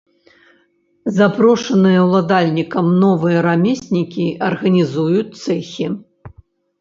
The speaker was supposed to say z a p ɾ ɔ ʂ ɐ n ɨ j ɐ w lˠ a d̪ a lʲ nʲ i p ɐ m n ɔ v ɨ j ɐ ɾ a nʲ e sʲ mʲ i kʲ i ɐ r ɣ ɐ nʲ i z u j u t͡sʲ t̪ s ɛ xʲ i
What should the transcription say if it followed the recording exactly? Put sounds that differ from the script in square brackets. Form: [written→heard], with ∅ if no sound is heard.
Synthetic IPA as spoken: z a p ɾ ɔ ʂ ɐ n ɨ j ɐ w lˠ a d̪ a lʲ nʲ i [p→k] ɐ m n ɔ v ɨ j ɐ ɾ a [nʲ→mʲ] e sʲ [mʲ→nʲ] i kʲ i ɐ r ɣ ɐ nʲ i z u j u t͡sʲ t̪ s ɛ xʲ i